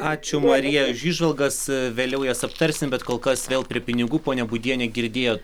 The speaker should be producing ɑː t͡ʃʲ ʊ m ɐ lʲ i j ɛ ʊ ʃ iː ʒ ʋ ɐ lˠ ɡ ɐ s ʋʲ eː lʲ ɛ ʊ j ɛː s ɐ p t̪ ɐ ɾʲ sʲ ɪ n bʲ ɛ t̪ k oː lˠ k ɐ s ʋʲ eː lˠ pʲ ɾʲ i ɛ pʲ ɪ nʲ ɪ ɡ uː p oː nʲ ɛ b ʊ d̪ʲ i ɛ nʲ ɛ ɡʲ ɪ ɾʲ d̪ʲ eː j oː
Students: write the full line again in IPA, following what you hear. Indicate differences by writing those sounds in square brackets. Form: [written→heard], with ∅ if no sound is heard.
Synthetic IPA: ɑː t͡ʃʲ ʊ m ɐ [lʲ→ɾʲ] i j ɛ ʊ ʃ iː ʒ ʋ ɐ lˠ ɡ ɐ s ʋʲ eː lʲ ɛ ʊ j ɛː s ɐ p t̪ ɐ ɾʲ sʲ ɪ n bʲ ɛ t̪ k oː lˠ k ɐ s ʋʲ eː lˠ pʲ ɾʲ i ɛ pʲ ɪ nʲ ɪ ɡ uː p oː nʲ ɛ b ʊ d̪ʲ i ɛ nʲ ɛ ɡʲ ɪ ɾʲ d̪ʲ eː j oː